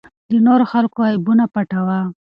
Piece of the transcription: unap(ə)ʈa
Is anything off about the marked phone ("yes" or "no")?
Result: yes